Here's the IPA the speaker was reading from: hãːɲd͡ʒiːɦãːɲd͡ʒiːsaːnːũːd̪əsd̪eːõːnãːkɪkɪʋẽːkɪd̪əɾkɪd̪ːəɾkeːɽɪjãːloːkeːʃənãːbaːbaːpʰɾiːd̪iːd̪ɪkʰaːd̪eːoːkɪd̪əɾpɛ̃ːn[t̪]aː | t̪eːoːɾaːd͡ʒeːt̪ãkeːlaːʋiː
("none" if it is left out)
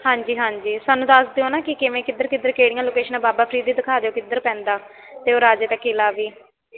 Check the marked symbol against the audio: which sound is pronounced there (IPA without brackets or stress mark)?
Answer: d̪